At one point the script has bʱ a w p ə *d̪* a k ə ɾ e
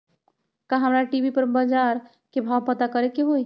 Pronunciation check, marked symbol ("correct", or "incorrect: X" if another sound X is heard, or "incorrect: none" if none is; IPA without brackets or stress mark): incorrect: t̪